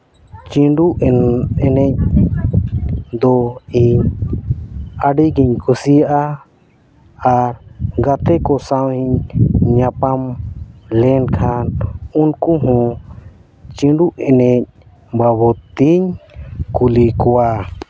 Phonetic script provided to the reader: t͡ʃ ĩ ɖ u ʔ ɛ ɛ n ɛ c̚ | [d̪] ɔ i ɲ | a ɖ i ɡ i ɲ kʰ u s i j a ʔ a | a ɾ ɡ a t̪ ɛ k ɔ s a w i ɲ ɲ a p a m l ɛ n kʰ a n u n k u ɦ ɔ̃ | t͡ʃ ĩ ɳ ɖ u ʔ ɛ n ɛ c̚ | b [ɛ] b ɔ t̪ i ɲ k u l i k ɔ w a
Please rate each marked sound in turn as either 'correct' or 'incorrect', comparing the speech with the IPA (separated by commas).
correct, incorrect